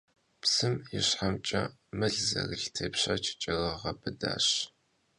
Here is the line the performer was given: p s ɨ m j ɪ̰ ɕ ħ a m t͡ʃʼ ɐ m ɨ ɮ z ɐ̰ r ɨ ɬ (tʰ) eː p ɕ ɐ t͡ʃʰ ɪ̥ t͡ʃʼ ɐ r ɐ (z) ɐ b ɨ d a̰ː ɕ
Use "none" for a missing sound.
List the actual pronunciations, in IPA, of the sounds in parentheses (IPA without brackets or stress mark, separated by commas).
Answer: tʰ, ʁ